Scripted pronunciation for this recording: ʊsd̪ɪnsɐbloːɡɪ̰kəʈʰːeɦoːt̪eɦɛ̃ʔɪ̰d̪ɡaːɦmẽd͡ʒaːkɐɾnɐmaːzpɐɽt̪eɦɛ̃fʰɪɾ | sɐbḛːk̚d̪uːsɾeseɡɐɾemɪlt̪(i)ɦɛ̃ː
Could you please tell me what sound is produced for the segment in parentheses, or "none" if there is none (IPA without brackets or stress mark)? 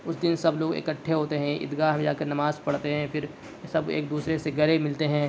e